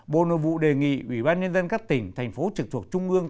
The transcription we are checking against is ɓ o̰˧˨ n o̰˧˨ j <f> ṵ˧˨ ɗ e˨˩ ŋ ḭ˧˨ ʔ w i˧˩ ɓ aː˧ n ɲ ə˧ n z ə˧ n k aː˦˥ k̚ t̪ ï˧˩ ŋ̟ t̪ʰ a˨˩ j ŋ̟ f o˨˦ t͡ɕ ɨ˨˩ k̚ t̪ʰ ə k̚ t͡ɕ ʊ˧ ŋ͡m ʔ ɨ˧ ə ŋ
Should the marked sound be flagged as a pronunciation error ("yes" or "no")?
yes